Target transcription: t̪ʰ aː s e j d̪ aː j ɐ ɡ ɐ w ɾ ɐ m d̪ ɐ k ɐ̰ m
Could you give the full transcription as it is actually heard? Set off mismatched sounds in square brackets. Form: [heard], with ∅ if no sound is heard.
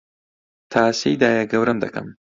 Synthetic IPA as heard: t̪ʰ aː s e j d̪ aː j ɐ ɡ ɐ w ɾ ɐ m d̪ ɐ k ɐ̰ m